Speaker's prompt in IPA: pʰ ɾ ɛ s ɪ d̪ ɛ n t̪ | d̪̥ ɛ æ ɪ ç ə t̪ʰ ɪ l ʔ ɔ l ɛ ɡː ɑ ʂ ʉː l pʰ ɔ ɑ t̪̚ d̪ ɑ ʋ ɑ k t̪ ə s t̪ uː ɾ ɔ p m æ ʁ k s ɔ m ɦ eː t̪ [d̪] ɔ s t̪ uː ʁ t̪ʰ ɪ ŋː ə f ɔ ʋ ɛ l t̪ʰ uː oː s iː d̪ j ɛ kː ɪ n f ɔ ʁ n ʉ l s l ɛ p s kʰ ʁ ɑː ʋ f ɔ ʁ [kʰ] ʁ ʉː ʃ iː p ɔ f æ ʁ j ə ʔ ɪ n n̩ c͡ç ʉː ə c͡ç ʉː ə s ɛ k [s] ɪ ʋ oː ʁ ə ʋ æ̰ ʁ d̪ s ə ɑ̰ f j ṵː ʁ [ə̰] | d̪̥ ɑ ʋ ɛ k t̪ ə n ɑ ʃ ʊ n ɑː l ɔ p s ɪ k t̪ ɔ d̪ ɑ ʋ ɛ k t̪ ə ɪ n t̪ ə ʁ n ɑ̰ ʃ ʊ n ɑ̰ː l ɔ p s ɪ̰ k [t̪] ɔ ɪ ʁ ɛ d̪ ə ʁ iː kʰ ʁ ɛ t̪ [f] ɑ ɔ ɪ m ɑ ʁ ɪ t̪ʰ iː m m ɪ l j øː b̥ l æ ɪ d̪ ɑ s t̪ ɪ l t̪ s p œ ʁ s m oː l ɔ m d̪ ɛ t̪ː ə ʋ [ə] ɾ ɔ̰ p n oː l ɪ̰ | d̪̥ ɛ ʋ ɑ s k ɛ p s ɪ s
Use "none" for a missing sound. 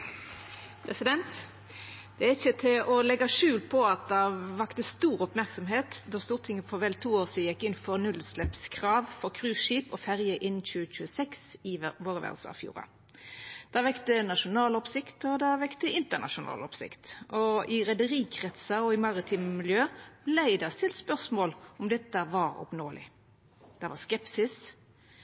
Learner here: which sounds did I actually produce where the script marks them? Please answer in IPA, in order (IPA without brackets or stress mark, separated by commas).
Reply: d̪, kʰ, s, ɑ̰, t̪, s, ɑ